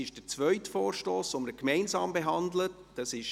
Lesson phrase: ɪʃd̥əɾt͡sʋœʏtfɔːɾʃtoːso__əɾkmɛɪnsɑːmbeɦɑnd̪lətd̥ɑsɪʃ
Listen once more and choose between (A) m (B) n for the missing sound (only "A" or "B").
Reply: A